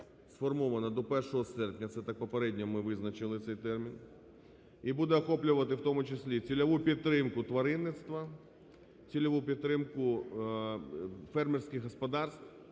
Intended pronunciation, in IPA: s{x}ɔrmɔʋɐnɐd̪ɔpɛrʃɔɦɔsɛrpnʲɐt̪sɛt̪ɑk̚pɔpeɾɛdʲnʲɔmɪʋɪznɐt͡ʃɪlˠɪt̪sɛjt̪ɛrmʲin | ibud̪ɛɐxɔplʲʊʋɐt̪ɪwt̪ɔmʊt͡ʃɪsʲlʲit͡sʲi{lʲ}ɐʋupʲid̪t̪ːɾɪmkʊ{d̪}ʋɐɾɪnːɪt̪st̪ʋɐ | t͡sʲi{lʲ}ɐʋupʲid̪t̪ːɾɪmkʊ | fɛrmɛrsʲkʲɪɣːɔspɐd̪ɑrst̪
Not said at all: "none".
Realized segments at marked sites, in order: f, lʲ, t̪, lʲ

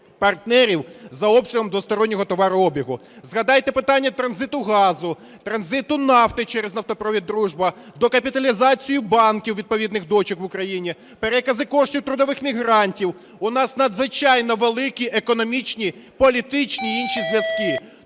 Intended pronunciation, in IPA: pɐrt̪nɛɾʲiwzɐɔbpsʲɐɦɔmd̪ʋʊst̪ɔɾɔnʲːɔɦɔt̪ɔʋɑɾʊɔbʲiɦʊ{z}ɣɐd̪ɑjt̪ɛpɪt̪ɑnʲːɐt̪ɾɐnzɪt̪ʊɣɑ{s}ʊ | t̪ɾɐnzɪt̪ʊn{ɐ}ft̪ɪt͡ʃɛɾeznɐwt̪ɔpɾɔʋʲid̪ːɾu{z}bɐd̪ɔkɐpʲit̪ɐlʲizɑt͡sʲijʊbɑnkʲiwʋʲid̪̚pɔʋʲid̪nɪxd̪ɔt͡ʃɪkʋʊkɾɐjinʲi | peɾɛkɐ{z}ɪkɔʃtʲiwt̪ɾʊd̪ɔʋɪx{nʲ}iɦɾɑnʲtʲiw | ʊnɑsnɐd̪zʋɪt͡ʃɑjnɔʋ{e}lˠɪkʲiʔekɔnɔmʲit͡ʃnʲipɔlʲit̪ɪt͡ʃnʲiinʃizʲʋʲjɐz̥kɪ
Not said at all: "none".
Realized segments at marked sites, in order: z, z, ɑ, ʒ, z, mʲ, e

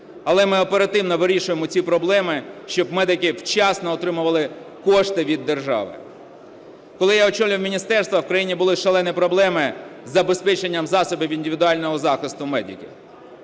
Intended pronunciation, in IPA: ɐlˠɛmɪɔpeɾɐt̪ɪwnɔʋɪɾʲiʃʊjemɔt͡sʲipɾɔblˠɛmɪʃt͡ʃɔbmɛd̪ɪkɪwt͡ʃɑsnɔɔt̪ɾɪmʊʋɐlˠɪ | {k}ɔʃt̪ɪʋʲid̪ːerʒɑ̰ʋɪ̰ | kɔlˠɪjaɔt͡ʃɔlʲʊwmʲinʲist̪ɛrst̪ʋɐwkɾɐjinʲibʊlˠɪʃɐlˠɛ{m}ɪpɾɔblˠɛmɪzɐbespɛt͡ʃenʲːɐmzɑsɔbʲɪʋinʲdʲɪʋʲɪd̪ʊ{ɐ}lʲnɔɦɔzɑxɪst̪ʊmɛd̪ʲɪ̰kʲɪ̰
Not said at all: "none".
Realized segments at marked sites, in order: k, n, ɑ

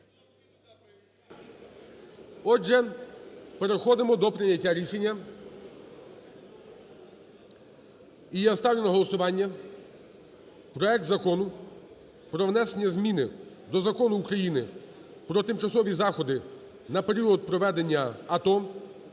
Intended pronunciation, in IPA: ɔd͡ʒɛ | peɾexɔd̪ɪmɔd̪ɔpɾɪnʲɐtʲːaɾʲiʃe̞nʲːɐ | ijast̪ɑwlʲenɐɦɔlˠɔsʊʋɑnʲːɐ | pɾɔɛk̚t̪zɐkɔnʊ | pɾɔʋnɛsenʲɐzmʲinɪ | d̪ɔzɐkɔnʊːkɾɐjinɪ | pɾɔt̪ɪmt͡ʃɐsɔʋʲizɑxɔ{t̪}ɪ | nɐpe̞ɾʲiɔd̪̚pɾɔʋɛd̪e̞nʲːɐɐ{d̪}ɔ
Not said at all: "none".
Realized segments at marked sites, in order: d̪, t̪

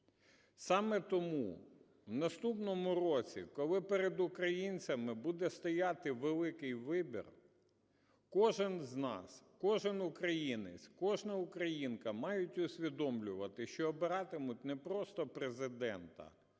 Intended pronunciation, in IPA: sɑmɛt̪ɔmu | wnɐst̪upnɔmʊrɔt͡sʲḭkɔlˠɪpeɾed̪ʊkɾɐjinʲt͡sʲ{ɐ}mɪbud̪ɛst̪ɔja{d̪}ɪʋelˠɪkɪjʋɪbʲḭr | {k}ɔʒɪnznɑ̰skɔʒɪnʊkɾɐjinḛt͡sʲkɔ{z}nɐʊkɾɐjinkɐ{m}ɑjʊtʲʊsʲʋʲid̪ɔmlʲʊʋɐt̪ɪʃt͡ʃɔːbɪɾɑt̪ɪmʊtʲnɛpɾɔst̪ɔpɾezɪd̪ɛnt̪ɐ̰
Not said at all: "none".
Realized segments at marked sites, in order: ɐ, t̪, k, ʒ, m

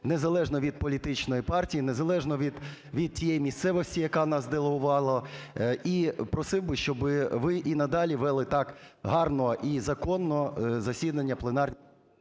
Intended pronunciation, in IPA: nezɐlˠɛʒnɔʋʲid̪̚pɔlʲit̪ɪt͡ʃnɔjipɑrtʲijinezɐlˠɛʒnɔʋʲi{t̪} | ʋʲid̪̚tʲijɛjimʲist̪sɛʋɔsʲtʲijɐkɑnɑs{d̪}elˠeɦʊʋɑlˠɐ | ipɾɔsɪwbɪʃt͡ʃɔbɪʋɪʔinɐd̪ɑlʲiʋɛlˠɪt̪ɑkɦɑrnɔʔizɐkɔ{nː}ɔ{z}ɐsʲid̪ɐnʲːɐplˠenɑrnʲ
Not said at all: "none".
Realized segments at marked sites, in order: d̪, d̪, nː, z

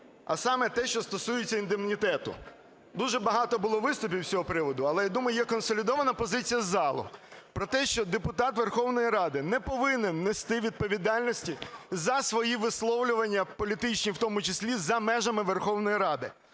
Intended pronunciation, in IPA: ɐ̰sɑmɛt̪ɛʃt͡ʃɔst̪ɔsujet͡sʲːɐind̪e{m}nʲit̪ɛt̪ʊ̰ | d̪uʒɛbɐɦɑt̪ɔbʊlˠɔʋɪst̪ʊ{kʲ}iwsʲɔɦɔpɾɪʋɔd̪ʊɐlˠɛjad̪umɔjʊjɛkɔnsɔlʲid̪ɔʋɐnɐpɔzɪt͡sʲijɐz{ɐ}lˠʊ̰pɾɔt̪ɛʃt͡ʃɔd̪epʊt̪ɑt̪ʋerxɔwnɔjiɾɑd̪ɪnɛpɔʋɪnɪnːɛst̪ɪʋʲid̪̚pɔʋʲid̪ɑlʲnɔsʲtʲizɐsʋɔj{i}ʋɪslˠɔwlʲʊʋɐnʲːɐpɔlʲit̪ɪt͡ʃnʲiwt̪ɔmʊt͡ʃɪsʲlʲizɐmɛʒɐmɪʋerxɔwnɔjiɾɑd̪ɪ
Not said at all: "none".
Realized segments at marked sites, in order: m, pʲ, ɑ, i

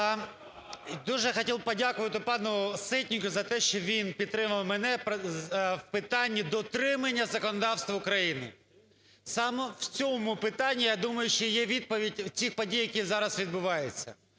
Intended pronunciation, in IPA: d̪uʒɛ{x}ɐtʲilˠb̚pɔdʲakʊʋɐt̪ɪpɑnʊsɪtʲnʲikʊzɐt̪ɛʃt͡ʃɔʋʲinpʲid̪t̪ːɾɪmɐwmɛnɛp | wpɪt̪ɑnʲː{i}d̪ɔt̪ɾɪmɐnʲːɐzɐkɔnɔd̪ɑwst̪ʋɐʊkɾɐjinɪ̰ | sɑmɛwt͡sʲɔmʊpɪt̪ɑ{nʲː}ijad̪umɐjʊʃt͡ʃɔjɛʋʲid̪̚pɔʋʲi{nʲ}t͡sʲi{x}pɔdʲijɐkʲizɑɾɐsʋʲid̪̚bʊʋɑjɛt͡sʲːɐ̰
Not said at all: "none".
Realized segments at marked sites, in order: x, i, nʲː, dʲ, x

